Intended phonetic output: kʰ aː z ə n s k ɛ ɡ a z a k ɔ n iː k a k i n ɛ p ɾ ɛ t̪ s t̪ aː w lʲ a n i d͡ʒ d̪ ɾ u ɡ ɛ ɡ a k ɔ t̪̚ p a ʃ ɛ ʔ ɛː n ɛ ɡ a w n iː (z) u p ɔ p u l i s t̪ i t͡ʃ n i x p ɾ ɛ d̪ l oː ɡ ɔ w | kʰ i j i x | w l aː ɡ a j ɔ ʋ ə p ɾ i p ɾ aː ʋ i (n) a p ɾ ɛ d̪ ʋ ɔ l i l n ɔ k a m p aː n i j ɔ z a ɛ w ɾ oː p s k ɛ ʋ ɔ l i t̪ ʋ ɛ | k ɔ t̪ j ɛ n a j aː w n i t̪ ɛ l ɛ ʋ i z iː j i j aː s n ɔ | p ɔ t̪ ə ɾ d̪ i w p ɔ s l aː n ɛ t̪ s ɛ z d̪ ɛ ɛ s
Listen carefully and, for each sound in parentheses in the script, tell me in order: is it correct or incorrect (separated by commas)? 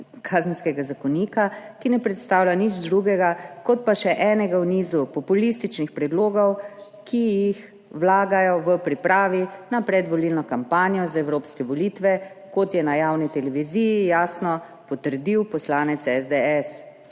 correct, correct